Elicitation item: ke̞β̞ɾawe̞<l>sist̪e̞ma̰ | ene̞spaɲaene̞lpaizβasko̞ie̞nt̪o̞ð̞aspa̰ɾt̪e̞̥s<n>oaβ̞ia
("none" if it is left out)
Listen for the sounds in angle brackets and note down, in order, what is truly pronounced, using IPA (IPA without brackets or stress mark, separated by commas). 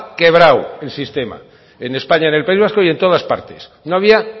l, n